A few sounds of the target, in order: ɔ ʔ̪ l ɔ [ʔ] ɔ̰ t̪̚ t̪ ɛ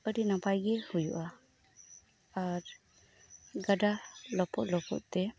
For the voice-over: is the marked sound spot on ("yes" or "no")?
no